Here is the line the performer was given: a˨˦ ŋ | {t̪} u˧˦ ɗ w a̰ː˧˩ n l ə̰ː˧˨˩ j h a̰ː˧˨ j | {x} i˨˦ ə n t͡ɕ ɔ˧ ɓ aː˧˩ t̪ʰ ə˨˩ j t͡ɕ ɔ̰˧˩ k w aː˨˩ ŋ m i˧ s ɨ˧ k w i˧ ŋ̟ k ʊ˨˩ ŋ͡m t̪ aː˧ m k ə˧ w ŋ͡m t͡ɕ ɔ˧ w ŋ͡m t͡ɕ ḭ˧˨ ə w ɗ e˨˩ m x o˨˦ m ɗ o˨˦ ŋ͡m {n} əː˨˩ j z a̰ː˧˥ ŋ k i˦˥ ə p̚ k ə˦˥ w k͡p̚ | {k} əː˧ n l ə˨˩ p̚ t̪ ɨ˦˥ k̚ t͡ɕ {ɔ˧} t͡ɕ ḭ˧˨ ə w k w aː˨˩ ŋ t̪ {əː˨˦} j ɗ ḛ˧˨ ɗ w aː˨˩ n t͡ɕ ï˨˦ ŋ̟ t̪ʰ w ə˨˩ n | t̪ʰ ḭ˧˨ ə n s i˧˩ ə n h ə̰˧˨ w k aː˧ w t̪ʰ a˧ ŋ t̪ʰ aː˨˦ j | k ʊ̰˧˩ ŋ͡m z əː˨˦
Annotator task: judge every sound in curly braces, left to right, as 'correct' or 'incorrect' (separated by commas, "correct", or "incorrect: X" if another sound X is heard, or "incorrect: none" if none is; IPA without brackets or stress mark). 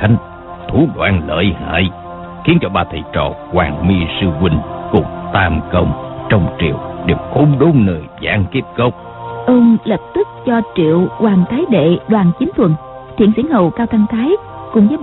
incorrect: t̪ʰ, correct, correct, incorrect: ʔ, correct, incorrect: aː˨˦